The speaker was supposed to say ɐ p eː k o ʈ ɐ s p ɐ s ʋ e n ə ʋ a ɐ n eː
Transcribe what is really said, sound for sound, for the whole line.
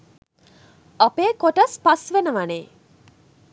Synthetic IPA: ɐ p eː k o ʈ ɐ s p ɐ s ʋ e n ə ʋ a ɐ n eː